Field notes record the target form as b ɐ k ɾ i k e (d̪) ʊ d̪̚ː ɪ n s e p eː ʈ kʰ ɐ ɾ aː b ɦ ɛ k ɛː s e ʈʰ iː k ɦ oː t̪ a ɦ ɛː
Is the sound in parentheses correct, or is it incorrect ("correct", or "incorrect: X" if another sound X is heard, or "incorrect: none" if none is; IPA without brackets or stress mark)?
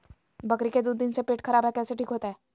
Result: correct